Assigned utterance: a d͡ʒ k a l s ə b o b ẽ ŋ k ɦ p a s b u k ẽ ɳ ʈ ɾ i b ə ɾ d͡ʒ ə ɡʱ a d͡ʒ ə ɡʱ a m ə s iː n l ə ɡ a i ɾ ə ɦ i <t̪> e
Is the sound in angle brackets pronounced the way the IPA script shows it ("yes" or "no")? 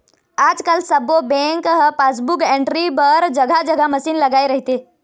yes